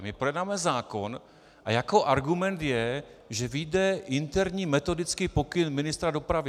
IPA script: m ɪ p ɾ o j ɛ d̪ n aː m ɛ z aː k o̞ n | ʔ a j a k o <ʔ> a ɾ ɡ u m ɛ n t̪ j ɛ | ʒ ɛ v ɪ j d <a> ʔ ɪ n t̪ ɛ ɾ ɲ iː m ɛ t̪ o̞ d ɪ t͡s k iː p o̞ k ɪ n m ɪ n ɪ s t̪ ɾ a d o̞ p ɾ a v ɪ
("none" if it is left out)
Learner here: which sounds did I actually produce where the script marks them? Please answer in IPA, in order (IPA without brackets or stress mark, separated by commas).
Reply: ʔ, ɛ